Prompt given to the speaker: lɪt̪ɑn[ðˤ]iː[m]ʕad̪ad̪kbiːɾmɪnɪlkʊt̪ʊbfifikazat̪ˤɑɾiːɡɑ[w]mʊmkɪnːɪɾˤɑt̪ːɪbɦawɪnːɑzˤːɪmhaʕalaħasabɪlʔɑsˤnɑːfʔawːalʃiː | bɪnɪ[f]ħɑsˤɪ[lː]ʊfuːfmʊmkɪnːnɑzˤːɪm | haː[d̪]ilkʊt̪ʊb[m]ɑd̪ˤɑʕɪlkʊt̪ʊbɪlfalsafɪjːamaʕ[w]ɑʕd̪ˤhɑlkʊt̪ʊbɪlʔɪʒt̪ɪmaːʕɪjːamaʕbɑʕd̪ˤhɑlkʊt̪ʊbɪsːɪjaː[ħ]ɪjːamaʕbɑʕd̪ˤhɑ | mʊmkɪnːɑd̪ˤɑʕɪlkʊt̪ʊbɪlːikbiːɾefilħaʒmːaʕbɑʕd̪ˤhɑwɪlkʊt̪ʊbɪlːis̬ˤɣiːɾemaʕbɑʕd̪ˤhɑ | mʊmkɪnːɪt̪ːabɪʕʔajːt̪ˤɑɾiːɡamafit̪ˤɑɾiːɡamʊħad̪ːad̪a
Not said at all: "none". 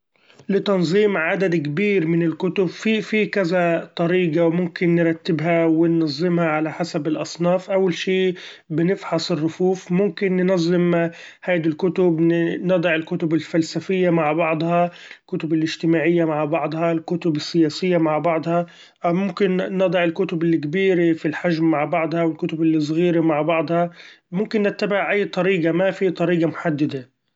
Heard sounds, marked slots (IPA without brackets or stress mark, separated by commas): zˤ, m, w, f, rː, d̪, n, b, s